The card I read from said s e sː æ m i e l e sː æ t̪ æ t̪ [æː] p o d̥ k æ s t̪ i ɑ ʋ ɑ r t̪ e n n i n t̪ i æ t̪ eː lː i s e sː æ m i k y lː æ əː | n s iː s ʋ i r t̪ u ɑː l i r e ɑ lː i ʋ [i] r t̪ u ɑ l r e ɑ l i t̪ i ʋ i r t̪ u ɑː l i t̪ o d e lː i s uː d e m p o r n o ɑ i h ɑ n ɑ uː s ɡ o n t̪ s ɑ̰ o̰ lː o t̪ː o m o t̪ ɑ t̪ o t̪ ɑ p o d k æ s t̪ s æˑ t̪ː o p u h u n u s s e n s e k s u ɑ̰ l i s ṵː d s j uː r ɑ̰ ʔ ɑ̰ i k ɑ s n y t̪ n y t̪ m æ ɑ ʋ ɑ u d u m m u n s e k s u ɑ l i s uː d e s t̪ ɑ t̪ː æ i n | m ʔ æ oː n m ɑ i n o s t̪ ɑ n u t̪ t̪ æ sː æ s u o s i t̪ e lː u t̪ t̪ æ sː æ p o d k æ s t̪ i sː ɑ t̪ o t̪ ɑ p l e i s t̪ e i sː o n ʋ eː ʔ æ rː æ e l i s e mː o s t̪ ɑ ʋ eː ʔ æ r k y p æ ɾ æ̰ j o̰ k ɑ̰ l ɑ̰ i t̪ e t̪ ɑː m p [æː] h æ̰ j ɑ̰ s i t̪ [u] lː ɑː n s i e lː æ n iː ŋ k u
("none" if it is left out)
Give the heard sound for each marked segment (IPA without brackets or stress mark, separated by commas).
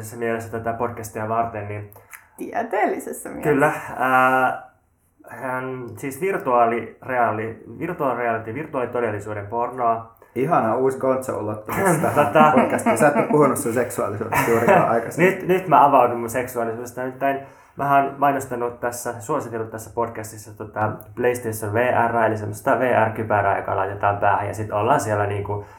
æ, i, æː, o